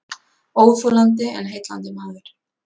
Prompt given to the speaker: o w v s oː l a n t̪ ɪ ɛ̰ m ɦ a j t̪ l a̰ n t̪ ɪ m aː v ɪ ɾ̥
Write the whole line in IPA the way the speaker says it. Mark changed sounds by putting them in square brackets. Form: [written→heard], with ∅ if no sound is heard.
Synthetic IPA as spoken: o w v [s→f] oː l a n t̪ ɪ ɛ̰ [m→n] ɦ [a→e] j t̪ l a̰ n t̪ ɪ m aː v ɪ ɾ̥